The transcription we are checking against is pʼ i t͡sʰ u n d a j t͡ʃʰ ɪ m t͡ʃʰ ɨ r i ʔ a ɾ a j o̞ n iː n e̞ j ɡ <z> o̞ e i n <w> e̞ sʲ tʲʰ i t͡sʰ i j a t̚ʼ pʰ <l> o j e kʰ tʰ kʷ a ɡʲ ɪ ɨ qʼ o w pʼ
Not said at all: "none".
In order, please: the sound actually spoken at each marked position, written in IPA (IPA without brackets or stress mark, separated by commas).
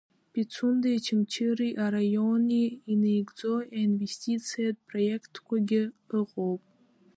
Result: d͡z, v, r